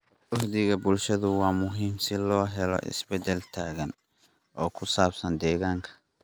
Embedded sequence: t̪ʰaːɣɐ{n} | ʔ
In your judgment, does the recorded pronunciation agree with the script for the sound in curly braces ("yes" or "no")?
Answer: yes